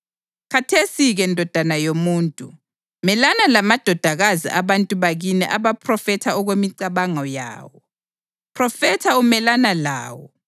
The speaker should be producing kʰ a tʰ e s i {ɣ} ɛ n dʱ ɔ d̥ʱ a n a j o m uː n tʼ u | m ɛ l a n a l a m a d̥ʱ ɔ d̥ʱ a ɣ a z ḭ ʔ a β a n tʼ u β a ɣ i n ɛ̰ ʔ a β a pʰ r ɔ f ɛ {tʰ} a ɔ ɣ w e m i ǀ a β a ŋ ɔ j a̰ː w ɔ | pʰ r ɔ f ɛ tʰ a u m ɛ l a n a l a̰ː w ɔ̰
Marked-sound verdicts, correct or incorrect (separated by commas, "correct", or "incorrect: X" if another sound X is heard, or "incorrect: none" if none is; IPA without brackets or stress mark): correct, correct